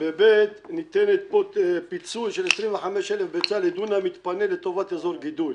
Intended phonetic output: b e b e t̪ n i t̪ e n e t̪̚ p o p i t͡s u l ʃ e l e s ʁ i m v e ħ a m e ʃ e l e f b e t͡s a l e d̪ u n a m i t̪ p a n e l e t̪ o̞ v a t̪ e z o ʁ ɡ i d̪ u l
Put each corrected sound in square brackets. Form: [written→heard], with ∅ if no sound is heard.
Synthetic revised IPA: b e b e t̪ n i t̪ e n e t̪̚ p o p i t͡s u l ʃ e l e s ʁ i m v e ħ a m e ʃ e l e f b e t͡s a l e d̪ u n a m i t̪ p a n e l e t̪ o̞ v a t̪ e z o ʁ ɡ i d̪ u l